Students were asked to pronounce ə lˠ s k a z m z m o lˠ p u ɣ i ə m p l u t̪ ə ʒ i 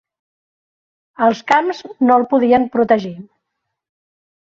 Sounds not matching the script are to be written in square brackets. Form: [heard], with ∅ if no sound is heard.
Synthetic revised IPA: ə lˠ s k a [∅] m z [n] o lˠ p u [ð] i ə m p [ɾ] u t̪ ə ʒ i